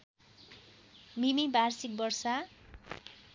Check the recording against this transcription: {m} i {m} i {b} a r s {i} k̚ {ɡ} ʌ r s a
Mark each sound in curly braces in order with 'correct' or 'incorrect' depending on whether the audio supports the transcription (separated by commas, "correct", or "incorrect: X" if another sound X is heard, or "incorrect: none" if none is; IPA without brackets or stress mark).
correct, correct, correct, correct, incorrect: b